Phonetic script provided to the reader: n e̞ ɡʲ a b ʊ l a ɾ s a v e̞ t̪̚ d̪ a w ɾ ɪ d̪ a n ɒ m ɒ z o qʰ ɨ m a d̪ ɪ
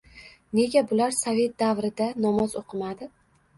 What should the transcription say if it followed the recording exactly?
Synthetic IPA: n e̞ ɡʲ a b ʊ l a ɾ s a v e̞ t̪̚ d̪ a v ɾ ɪ d̪ a n ɒ m ɒ z o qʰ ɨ m a d̪ ɪ